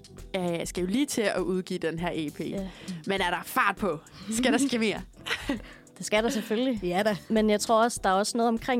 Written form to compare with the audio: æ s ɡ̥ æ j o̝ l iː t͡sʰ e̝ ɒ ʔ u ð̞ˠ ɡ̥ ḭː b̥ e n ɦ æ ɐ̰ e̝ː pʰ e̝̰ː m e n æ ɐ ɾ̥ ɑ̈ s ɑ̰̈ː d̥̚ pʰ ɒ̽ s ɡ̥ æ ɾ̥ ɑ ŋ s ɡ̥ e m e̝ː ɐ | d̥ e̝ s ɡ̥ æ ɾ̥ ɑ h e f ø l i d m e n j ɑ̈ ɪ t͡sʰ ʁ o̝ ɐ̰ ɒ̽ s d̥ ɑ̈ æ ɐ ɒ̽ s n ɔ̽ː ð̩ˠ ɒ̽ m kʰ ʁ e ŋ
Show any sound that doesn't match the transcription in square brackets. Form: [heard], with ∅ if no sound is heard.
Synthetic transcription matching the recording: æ s ɡ̥ æ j o̝ l iː t͡sʰ e̝ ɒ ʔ u ð̞ˠ ɡ̥ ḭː [d̥] e n ɦ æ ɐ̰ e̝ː pʰ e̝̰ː m e n æ ɐ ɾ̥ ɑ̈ [f] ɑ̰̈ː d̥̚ pʰ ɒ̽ s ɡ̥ æ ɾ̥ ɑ [∅] s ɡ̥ e m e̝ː ɐ | d̥ e̝ s ɡ̥ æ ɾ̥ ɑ [s] e f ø l i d m e n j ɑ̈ ɪ t͡sʰ ʁ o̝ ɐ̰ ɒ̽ s d̥ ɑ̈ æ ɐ ɒ̽ s n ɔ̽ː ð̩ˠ ɒ̽ m kʰ ʁ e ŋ